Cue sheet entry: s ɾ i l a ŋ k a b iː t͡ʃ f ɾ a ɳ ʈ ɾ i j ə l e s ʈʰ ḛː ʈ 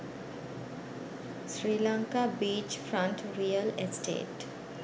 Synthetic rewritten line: s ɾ i l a ŋ k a b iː t͡ʃ f ɾ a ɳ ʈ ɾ i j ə l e s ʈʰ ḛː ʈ

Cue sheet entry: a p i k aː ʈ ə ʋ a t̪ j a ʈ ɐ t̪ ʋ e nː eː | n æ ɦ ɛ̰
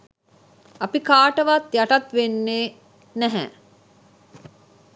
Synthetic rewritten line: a p i k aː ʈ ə ʋ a t̪ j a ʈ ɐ t̪ ʋ e nː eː | n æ ɦ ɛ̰

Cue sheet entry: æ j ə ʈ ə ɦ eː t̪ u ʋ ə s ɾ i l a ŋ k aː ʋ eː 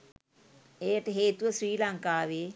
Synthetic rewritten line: e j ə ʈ ə ɦ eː t̪ u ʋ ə s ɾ iː l a ŋ k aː ʋ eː

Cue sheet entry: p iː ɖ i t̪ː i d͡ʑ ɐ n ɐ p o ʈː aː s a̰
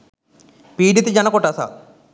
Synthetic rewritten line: p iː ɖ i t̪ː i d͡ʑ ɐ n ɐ k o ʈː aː s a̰

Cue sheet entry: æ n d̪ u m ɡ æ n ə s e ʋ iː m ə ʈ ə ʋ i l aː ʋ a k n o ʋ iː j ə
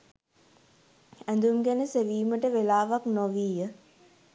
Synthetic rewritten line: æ n d̪ u m ɡ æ n ə s e ʋ iː m ə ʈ ə ʋ e l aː ʋ a k n o ʋ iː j ə

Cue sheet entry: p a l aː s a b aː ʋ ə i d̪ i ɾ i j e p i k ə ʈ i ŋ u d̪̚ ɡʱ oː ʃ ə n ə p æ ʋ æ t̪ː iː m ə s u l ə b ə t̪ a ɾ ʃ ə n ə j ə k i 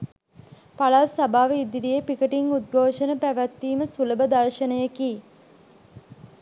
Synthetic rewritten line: p a l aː s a b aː ʋ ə i d̪ i ɾ i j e p i k ə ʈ i ŋ u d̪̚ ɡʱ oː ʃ ə n ə p æ ʋ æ t̪ː iː m ə s u l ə b ə d̪ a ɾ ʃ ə n ə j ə k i

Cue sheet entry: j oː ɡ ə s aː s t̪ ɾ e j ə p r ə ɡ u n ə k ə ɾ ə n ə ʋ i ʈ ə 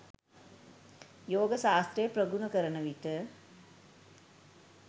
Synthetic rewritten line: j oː ɡ ə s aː s t̪ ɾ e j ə p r ə ɡ u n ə k ə ɾ ə n ə ʋ i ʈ ə

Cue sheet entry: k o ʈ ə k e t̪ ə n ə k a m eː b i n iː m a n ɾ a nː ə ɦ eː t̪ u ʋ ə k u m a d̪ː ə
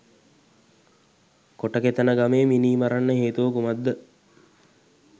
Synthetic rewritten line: k o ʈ ə k e t̪ ə n ə ɡ a m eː m i n iː m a ɾ a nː ə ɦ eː t̪ u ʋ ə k u m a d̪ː ə

